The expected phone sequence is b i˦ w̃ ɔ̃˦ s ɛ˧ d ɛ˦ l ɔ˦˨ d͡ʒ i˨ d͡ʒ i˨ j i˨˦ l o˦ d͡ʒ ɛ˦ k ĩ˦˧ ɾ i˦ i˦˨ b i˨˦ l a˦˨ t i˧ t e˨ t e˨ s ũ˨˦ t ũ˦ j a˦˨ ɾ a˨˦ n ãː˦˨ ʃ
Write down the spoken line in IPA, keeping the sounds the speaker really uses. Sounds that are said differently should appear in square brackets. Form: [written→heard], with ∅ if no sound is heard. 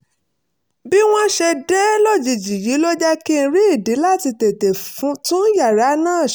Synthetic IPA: b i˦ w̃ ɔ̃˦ [s→ʃ] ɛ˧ d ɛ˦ l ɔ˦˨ d͡ʒ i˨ d͡ʒ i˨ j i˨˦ l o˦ d͡ʒ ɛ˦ k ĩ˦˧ ɾ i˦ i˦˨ [b→d] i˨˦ l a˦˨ t i˧ t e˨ t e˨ [s→f] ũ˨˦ t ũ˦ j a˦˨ ɾ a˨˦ n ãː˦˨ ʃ